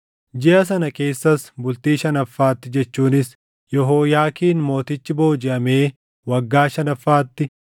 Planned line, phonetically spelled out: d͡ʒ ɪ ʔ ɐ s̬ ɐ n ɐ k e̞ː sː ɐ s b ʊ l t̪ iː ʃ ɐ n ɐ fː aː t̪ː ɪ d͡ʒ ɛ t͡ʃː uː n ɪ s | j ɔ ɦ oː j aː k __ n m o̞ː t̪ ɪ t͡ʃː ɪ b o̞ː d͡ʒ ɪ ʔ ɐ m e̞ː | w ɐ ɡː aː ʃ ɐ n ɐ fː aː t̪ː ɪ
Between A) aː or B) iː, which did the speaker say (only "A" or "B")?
B